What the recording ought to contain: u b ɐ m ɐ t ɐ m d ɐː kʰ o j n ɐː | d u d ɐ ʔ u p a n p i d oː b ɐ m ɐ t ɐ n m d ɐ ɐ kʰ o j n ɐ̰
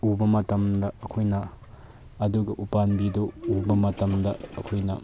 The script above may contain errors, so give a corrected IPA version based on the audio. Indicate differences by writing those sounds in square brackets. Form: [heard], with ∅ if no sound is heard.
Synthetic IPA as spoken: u b ɐ m ɐ t ɐ m d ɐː kʰ o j n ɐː | d u [ɡ] ɐ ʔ u p a n [b] i d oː b ɐ m ɐ t ɐ [∅] m d ɐ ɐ kʰ o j n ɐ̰